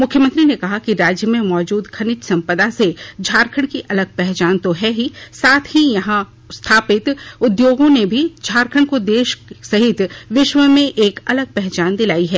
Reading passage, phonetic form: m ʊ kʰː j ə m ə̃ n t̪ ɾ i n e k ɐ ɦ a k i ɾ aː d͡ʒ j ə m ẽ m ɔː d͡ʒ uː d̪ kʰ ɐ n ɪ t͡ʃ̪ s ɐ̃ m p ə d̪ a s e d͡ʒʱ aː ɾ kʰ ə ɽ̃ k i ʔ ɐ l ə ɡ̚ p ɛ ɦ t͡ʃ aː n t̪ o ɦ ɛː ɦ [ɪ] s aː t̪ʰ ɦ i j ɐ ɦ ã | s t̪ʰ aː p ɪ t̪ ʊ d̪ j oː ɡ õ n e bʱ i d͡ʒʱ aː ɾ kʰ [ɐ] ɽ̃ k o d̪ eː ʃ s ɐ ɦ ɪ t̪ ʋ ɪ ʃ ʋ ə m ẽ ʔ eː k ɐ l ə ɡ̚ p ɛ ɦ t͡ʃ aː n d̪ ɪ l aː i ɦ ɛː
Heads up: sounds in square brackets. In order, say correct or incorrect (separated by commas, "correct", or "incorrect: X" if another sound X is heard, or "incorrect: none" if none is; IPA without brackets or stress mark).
incorrect: i, incorrect: ə